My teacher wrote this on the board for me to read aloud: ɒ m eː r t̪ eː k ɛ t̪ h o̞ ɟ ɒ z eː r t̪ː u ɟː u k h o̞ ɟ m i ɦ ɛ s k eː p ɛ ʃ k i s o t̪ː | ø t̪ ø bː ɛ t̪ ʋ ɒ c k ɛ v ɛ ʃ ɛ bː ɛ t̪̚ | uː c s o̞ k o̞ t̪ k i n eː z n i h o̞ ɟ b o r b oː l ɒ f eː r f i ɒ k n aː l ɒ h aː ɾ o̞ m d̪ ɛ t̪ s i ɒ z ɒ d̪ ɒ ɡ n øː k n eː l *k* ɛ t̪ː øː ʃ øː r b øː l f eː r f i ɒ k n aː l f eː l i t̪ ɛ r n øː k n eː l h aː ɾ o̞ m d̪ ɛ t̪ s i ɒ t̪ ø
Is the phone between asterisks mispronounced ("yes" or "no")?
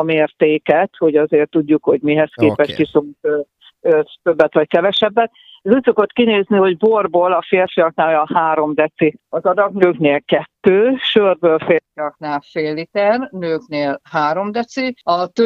no